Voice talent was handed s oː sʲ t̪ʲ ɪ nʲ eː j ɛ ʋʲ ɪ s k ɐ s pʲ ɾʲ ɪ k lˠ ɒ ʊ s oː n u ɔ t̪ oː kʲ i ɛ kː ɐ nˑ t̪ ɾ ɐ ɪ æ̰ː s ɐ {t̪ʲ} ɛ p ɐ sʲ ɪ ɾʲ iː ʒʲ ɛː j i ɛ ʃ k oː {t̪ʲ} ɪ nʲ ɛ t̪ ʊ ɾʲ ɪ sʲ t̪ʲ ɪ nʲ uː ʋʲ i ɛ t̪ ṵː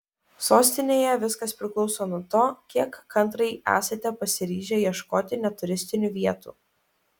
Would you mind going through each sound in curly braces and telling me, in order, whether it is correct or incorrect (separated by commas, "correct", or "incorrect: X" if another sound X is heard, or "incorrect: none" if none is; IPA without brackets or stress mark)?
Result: correct, correct